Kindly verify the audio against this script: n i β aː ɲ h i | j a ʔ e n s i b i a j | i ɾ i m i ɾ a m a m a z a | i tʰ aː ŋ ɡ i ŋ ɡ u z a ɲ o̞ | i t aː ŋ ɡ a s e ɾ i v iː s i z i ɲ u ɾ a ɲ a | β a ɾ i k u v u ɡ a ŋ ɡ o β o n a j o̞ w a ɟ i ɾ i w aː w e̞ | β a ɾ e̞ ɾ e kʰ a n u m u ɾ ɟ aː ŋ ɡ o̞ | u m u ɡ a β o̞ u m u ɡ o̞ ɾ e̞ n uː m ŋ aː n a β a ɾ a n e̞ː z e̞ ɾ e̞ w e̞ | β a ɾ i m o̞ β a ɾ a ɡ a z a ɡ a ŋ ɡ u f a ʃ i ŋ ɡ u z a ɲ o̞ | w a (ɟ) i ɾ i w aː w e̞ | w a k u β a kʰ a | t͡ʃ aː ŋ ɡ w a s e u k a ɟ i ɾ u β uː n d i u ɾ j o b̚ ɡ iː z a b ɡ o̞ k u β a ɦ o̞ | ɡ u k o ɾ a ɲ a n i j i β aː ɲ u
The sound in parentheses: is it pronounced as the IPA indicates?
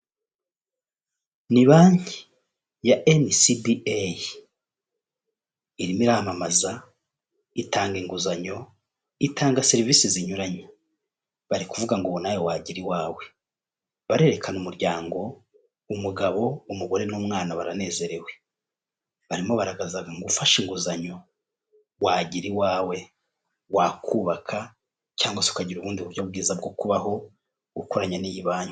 yes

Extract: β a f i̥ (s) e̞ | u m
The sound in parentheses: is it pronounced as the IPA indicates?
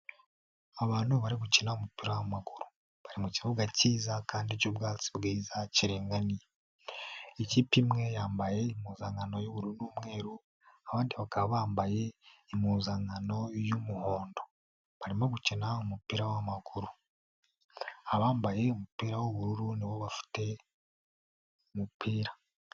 no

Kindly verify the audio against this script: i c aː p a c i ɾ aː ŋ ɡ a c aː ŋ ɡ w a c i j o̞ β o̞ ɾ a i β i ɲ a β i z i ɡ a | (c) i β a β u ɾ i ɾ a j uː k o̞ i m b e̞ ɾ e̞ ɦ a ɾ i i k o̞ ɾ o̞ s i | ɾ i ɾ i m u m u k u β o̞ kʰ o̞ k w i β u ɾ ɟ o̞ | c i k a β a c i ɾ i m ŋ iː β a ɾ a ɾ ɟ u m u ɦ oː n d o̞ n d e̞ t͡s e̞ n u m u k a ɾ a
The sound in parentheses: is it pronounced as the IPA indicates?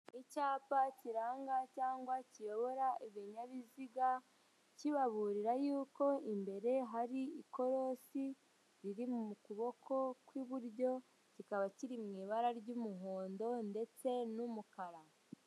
yes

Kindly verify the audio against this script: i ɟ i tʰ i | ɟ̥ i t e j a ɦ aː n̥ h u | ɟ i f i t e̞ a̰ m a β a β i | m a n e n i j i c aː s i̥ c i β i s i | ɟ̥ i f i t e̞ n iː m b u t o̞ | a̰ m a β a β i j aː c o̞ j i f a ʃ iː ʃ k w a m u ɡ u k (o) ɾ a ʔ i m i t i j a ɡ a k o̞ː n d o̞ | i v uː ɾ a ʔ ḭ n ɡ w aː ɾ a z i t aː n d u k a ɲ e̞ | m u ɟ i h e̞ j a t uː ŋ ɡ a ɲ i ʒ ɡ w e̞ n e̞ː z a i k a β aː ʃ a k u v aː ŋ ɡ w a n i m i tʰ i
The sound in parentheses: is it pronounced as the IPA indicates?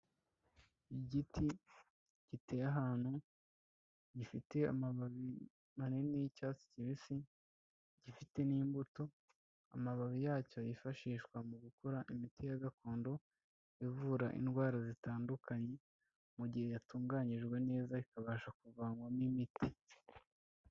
yes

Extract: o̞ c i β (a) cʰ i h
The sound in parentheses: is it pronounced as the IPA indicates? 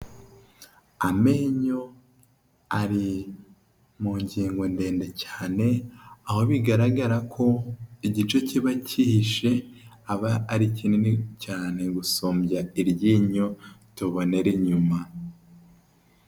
yes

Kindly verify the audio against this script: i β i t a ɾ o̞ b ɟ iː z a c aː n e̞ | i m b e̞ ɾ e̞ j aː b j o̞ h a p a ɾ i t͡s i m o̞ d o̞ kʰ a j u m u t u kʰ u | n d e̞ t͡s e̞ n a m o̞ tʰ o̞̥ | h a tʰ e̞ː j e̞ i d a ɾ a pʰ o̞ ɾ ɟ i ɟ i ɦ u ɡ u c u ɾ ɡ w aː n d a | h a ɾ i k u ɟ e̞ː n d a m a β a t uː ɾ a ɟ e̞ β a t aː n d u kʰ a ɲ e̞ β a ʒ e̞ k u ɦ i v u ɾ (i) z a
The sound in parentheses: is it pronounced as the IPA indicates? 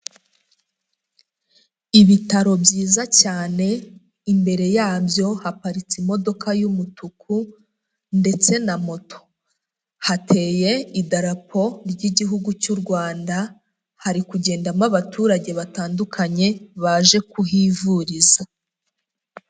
yes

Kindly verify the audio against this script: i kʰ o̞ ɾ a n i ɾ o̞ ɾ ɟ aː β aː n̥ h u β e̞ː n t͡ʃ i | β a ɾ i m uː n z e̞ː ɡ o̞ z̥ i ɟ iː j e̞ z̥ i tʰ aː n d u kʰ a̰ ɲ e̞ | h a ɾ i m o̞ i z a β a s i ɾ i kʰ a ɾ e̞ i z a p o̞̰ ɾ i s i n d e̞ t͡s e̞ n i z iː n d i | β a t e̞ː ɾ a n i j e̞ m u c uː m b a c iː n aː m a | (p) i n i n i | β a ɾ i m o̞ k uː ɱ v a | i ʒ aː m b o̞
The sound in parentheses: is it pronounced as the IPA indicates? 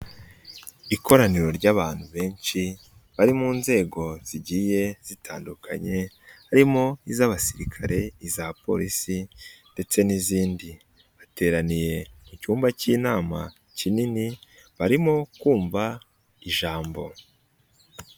no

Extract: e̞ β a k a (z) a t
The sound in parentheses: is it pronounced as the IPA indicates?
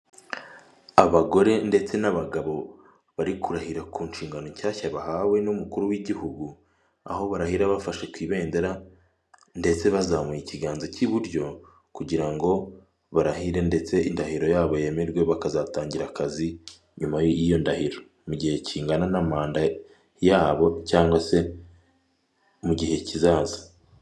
yes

